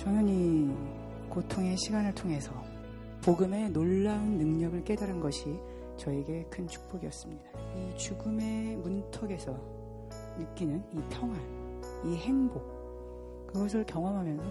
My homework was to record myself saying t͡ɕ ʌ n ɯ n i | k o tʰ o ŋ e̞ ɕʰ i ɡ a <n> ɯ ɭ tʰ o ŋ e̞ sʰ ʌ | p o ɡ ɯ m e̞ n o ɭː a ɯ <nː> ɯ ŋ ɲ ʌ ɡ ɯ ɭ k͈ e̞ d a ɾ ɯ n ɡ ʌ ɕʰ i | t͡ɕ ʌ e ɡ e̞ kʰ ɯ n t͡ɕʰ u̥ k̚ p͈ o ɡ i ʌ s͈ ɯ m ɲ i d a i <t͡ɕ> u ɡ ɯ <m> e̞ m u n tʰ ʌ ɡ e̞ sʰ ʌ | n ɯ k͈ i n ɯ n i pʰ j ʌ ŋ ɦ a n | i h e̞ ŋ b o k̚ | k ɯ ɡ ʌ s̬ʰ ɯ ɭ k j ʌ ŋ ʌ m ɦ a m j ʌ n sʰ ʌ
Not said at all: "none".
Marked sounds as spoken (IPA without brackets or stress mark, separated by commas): n, nː, t͡ɕ, m